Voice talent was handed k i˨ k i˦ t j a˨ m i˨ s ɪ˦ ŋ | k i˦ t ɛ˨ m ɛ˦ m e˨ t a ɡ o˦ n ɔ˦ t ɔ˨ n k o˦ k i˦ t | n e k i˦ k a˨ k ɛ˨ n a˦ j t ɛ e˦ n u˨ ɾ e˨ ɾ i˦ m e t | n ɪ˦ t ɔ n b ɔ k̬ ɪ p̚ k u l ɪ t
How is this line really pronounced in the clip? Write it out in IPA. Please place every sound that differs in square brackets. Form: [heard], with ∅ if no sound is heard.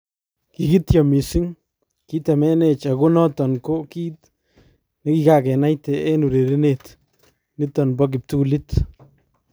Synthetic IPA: k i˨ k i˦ t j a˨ m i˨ s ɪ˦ ŋ | k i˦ t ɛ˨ m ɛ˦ [n] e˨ [t͡ʃ] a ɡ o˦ n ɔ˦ t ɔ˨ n k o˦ k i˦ t | n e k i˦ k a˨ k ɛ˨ n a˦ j t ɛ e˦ n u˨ ɾ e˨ ɾ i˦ [n] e t | n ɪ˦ t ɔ n b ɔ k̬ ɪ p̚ [t] u l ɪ t